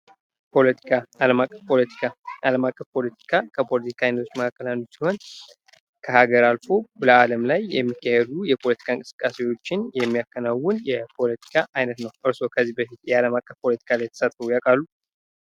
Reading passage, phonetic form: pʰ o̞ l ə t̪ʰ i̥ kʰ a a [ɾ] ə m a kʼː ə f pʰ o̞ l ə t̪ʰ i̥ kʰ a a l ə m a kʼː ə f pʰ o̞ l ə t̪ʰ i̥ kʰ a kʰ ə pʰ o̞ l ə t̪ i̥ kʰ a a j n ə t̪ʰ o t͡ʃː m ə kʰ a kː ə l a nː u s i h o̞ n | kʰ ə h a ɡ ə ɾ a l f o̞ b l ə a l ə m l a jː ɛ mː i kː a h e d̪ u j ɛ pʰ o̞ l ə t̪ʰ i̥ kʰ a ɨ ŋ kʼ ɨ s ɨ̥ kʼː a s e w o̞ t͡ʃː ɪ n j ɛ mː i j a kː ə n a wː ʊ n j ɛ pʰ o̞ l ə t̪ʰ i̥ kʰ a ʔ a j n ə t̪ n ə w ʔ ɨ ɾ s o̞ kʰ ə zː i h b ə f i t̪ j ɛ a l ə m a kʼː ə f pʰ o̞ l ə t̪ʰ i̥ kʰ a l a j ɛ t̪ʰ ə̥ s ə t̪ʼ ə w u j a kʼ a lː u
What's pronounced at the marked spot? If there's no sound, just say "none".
l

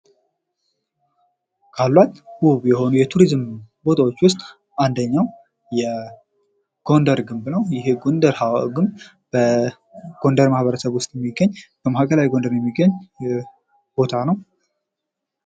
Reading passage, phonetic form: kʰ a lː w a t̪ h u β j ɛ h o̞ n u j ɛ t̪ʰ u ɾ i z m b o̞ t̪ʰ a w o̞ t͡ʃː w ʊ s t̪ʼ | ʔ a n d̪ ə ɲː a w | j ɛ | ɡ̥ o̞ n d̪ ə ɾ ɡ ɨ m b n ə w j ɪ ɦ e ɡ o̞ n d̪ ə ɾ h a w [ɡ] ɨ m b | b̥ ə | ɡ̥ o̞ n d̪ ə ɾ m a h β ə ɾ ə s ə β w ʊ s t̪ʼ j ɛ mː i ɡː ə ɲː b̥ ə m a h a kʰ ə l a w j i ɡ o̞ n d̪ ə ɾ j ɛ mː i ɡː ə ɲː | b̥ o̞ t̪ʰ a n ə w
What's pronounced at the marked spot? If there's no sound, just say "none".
ɡ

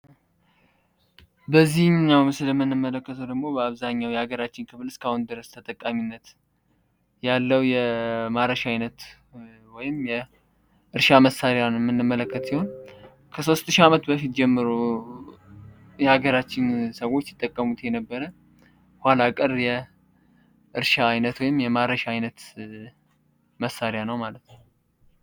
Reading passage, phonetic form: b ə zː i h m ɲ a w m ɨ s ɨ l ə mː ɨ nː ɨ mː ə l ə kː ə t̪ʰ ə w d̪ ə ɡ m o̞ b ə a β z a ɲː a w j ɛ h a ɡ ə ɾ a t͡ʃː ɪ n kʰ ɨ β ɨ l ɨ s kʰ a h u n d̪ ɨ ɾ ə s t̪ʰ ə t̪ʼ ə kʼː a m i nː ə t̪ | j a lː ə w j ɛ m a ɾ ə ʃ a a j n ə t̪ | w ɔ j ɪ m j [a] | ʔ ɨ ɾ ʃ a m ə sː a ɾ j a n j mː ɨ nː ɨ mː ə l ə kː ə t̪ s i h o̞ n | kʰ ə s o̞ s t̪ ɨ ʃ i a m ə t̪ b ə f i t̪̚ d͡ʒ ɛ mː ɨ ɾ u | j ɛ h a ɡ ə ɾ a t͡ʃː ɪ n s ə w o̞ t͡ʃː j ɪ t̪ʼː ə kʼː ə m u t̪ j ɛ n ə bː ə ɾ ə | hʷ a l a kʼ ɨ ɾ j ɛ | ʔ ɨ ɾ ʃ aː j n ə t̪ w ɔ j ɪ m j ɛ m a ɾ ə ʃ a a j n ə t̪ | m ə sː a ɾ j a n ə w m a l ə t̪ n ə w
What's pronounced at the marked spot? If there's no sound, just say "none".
ɛ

